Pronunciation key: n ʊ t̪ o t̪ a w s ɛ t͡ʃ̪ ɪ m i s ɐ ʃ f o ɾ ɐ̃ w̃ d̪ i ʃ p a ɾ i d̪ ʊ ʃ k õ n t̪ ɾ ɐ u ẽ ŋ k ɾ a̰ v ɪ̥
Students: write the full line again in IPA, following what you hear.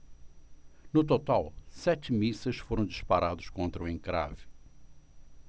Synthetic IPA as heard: n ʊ t̪ o t̪ a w s ɛ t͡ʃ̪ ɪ m i s ɐ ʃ f o ɾ ɐ̃ w̃ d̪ i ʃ p a ɾ a d̪ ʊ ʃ k õ n t̪ ɾ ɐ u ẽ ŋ k ɾ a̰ v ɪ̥